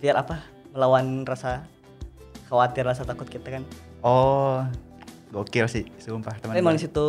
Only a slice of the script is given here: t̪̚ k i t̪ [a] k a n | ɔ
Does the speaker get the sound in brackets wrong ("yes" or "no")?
no